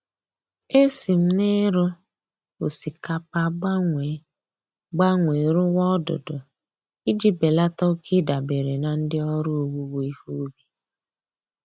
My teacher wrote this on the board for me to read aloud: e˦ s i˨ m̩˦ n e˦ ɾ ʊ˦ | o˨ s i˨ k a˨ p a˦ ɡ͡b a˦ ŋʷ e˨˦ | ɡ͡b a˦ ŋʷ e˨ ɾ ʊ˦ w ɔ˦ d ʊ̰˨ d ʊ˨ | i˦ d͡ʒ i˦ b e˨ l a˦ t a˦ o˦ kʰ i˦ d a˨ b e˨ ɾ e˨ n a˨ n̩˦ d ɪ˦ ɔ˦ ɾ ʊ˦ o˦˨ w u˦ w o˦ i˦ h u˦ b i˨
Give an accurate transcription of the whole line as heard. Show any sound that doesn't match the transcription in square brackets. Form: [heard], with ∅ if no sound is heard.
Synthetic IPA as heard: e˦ s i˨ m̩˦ n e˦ ɾ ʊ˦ | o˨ s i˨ k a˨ p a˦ ɡ͡b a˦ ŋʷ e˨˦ | ɡ͡b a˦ ŋʷ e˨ ɾ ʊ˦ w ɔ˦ d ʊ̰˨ d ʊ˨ | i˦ d͡ʒ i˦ b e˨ l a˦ t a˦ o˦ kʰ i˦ d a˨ b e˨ ɾ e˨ n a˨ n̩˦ d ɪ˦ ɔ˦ ɾ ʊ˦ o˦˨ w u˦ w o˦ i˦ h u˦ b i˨